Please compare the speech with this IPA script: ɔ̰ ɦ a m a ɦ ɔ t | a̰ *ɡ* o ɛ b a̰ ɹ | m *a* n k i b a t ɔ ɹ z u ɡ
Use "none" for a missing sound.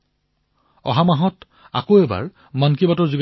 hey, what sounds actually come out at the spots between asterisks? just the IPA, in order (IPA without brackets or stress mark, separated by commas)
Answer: k, a